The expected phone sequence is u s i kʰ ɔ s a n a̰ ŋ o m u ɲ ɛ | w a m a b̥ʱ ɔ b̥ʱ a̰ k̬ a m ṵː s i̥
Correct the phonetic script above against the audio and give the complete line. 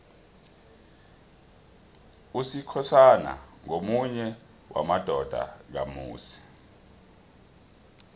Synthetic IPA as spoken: u s i kʰ ɔ s a n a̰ ŋ o m u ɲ ɛ | w a m a d̥ʱ ɔ d̥ʱ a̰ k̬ a m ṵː s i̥